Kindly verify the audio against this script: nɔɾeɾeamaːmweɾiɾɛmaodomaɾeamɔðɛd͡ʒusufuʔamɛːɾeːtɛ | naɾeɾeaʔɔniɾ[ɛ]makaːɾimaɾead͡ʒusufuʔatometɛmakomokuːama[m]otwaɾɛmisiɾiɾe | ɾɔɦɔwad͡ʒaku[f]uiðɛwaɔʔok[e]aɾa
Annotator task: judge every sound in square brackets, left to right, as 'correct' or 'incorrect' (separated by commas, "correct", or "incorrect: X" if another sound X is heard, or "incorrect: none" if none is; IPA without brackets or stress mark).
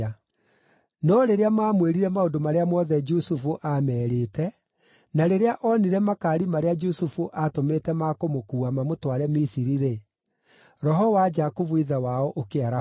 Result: correct, correct, incorrect: v, correct